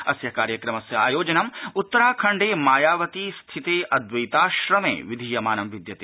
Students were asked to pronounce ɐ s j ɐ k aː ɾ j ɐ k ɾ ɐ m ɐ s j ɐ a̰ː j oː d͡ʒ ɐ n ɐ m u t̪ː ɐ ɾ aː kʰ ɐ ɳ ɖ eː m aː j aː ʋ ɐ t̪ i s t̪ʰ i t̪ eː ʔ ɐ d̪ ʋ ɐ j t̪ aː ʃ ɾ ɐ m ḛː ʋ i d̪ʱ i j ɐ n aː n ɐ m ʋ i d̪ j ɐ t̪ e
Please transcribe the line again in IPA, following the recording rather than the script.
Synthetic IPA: ɐ s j ɐ k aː ɾ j ɐ k ɾ ɐ m ɐ s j ɐ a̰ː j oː d͡ʒ ɐ n ɐ m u t̪ː ɐ ɾ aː kʰ ɐ ɳ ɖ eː m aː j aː ʋ ɐ t̪ i s t̪ʰ i t̪ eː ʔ ɐ d̪ ʋ ɐ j t̪ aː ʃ ɾ ɐ m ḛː ʋ i d̪ʱ i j ɐ m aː n ɐ m ʋ i d̪ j ɐ t̪ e